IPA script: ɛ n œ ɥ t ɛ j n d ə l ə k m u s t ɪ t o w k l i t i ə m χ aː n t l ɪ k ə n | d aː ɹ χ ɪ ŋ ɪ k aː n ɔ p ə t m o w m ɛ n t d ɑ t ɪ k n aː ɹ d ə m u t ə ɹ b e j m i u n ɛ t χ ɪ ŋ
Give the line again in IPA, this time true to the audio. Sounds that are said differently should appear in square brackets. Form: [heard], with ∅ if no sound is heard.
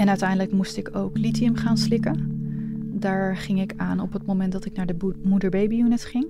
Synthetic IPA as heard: ɛ n œ ɥ t ɛ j n d ə l ə k m u s t ɪ [k] o w k l i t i ə m χ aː n [s] l ɪ k ə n | d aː ɹ χ ɪ ŋ ɪ k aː n ɔ p ə t m o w m ɛ n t d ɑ t ɪ k n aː ɹ d ə m u [d] ə ɹ b e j [b] i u n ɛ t χ ɪ ŋ